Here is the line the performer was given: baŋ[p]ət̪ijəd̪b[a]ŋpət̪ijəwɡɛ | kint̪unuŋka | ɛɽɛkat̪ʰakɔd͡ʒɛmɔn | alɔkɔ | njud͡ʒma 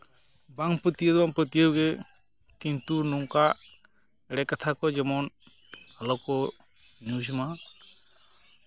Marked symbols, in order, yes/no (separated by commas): yes, yes